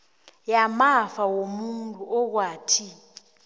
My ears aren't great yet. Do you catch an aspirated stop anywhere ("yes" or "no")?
yes